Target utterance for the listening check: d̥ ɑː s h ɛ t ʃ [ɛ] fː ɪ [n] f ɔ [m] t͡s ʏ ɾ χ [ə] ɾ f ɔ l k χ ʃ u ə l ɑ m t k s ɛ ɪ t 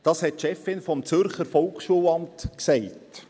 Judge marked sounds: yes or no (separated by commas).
yes, yes, yes, yes